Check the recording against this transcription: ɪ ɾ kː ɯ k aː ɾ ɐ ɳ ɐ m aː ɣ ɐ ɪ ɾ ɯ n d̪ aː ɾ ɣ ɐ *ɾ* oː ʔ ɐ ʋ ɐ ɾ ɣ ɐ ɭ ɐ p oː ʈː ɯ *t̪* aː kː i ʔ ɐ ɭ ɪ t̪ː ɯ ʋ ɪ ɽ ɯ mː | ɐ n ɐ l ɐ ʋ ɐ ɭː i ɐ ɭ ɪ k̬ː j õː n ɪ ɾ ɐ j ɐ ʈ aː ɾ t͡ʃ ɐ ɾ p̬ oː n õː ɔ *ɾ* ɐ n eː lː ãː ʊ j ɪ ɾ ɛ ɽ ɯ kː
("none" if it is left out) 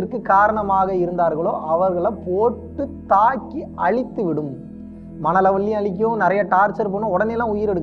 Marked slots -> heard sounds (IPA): ɭ, t̪, ɽ

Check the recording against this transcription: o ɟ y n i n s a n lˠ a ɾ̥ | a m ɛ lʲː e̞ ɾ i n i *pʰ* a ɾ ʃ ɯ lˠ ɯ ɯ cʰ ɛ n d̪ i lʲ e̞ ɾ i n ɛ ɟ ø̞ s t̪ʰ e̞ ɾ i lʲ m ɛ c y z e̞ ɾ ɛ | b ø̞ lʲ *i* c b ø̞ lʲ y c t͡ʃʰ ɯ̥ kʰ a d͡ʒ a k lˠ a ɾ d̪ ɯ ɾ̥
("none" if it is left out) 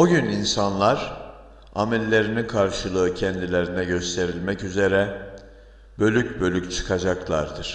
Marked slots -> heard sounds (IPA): kʰ, y

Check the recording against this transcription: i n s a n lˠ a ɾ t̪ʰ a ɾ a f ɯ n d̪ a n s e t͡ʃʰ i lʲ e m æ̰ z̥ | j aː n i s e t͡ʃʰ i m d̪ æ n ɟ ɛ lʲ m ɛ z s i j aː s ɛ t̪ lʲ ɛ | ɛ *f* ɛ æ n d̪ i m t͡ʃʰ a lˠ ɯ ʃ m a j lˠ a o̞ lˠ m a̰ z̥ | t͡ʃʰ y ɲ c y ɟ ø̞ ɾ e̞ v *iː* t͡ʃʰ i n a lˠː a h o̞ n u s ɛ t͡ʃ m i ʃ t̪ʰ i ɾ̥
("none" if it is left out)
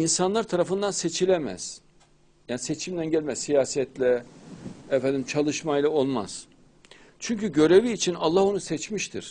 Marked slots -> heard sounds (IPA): f, iː

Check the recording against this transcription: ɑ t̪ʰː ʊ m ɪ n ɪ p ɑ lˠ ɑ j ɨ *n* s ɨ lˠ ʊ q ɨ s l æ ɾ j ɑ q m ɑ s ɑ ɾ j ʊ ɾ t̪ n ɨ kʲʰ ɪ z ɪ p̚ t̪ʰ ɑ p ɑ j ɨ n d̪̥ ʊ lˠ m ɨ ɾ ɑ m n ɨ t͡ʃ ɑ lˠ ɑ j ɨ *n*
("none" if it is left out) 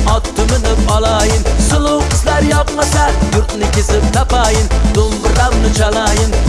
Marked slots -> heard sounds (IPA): n, n

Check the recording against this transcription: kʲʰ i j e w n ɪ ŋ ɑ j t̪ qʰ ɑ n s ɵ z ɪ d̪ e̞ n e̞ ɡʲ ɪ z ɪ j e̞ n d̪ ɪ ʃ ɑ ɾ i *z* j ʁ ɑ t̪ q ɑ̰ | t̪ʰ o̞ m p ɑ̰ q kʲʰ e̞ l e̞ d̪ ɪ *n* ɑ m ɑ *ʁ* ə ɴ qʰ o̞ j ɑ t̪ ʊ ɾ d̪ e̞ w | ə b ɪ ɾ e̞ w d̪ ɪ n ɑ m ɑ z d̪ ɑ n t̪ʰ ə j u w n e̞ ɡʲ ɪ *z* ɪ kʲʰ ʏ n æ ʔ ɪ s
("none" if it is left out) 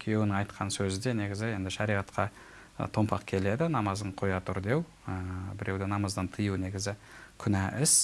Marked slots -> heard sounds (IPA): none, n, z, z

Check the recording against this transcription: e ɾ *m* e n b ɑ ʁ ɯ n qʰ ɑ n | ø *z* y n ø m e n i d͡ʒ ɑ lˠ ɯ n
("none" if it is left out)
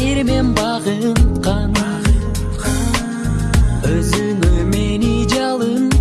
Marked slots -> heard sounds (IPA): m, z

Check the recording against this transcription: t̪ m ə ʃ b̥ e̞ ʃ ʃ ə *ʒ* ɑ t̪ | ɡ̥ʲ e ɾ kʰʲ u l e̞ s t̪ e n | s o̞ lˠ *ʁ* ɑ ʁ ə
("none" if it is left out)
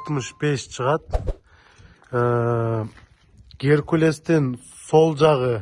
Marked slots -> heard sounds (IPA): ʁ, ʒ

